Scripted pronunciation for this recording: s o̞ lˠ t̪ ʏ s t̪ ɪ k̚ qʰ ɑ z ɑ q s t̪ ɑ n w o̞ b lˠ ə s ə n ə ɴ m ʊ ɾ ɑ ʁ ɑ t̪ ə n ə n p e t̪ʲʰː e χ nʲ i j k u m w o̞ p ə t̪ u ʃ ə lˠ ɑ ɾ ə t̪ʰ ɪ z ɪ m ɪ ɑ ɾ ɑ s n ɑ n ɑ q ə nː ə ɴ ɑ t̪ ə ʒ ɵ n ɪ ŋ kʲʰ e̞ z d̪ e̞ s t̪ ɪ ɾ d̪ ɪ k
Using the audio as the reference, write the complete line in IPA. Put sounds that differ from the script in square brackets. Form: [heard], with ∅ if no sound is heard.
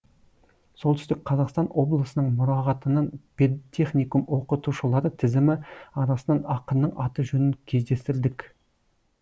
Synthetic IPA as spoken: s o̞ lˠ t̪ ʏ s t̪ ɪ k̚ qʰ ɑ z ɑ q s t̪ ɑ n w o̞ b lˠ ə s ə n ə ɴ m ʊ ɾ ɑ ʁ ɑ t̪ ə n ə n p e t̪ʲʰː e χ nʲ i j k u m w o̞ [q] ə t̪ u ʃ ə lˠ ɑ ɾ ə t̪ʰ ɪ z ɪ m ɪ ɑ ɾ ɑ s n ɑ n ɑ q ə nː ə ɴ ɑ t̪ ə ʒ ɵ n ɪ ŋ kʲʰ e̞ z d̪ e̞ s t̪ ɪ ɾ d̪ ɪ k